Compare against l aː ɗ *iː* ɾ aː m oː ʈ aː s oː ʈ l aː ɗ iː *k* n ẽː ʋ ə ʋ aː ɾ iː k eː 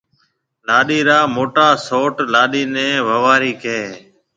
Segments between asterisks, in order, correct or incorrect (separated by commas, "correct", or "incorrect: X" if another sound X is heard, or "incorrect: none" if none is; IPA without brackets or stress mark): correct, incorrect: none